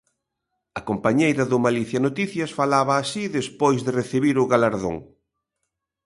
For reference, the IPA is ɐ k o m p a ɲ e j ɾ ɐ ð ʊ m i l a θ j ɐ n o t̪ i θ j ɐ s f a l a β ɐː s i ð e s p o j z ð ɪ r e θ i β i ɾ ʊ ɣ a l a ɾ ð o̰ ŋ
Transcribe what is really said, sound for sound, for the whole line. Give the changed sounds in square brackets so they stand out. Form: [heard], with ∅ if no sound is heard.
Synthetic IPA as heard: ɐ k o m p a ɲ e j ɾ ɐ ð ʊ m [a] l [i] θ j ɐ n o t̪ i θ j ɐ s f a l a β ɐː s i ð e s p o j z ð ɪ r e θ i β i ɾ ʊ ɣ a l a ɾ ð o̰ ŋ